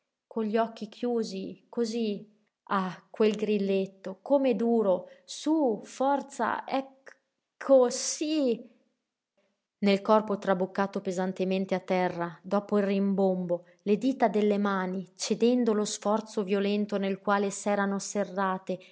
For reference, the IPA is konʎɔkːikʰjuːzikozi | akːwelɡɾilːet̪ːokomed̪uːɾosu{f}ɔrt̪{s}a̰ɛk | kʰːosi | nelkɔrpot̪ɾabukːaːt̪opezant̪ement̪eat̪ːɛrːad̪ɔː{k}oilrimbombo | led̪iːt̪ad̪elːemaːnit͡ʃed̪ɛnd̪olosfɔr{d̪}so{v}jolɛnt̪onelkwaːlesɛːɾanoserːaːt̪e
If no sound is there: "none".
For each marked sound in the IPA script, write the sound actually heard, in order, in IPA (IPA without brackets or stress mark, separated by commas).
f, s, p, t̪, v